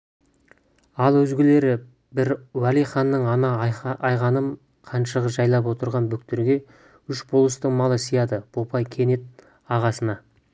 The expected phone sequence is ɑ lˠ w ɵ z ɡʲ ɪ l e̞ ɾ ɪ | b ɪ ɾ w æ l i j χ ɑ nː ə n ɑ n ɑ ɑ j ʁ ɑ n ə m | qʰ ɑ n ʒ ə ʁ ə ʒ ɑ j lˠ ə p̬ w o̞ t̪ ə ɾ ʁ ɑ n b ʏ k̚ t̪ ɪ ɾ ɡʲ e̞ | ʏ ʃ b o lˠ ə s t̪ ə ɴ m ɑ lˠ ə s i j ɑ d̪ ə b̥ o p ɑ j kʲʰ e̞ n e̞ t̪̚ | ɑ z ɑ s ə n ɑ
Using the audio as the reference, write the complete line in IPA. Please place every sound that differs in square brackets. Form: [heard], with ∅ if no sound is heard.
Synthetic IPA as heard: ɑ lˠ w ɵ z ɡʲ ɪ l e̞ ɾ ɪ | b ɪ ɾ w æ l i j χ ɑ nː ə [ɴ] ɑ n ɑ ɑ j ʁ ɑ n ə m | qʰ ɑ n [ʃ] ə ʁ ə ʒ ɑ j lˠ [ɑ] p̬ w o̞ t̪ ə ɾ ʁ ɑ n b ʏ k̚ t̪ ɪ ɾ ɡʲ e̞ | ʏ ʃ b o lˠ ə s t̪ ə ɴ m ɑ lˠ ə s i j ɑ d̪ ə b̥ o p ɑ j kʲʰ e̞ n e̞ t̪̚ | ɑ [ʁ] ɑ s ə n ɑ